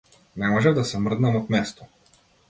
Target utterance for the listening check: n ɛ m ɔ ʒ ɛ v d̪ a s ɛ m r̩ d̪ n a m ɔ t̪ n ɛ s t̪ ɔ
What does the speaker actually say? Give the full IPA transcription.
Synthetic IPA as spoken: n ɛ m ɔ ʒ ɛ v d̪ a s ɛ m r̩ d̪ n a m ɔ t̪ m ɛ s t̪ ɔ